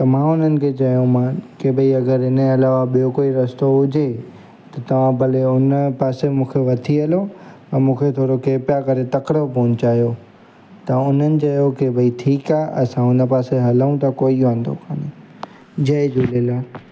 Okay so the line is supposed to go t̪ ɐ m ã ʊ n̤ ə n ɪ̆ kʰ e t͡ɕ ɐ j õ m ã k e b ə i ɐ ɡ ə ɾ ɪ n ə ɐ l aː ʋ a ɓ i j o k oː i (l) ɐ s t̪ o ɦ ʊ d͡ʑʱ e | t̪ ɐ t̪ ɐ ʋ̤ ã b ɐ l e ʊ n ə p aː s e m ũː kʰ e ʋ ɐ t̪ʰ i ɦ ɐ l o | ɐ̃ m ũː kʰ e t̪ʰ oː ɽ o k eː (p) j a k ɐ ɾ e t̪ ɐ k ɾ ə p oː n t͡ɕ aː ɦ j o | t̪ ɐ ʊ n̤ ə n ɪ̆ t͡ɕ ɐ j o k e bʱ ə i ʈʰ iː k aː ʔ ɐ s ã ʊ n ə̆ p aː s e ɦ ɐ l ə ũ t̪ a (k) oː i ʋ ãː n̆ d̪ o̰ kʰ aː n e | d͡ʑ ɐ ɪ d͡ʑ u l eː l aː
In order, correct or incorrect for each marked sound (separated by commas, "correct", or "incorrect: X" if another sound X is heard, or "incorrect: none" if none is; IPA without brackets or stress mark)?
incorrect: ɾ, correct, correct